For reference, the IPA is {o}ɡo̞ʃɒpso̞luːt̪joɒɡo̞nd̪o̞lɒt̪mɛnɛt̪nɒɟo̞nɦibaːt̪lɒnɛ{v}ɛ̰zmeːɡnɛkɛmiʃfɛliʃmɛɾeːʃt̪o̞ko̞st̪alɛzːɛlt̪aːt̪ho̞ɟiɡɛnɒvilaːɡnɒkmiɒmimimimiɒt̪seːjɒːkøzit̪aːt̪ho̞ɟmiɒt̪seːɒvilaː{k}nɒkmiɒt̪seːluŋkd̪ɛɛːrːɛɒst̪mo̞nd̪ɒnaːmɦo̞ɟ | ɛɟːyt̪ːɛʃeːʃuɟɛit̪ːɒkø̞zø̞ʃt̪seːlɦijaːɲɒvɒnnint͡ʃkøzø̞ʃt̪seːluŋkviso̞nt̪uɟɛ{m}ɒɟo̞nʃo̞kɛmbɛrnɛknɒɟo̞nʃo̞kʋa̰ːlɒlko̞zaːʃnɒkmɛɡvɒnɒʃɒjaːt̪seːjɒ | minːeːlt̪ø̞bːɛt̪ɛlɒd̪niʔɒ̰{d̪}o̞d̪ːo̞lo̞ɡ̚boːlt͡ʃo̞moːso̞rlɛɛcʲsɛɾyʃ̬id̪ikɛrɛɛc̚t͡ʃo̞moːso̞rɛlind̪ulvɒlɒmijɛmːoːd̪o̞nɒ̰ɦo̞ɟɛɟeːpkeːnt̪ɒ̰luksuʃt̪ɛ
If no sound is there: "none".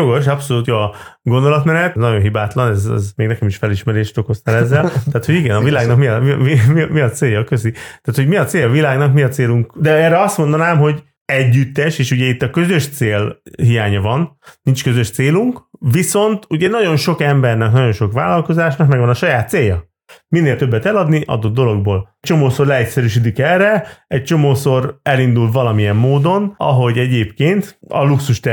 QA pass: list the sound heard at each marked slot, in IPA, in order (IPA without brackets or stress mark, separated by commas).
o, z, ɡ, n, d̪